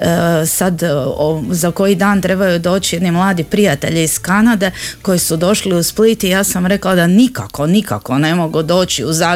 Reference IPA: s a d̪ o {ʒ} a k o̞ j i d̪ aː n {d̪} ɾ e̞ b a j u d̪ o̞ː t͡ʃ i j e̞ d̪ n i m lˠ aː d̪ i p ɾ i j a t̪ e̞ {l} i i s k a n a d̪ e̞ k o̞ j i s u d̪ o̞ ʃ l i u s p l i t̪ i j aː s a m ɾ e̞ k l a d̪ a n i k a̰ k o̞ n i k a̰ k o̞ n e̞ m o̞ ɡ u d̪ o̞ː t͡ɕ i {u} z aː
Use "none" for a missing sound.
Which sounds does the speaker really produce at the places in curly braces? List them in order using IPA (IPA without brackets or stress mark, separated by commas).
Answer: z, t̪, ʎ, u